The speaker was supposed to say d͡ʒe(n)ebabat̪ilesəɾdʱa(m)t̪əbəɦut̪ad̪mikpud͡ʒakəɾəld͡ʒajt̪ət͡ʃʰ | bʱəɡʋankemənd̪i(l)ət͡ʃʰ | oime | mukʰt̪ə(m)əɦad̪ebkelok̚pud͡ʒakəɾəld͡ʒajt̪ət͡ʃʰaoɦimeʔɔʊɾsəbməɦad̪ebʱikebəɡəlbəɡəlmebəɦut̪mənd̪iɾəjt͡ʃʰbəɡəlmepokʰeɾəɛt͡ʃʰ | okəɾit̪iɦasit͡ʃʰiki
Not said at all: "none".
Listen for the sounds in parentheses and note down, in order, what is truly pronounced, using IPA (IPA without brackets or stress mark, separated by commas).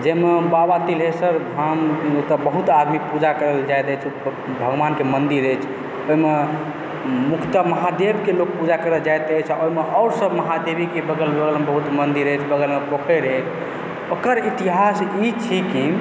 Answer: m, m, ɾ, m